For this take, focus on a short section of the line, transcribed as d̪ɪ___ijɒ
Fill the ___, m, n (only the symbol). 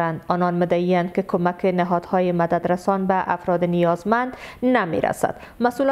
n